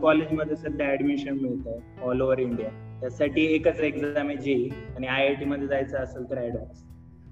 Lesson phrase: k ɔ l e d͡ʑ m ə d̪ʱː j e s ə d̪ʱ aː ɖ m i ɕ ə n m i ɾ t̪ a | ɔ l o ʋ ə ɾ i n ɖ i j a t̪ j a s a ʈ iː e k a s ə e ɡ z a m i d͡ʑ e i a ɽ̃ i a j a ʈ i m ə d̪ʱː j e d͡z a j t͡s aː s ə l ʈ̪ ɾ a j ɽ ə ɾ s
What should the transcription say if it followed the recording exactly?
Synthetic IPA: k ɔ l e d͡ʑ m ə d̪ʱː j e s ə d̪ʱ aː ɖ m i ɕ ə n m i ɭ t̪ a | ɔ l o ʋ ə ɾ i ɳ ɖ i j a t̪ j a s a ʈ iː e k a t͡s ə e ɡ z a m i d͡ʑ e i a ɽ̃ i a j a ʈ i m ə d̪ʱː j e d͡z a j t͡s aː s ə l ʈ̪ ɾ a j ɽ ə ɾ s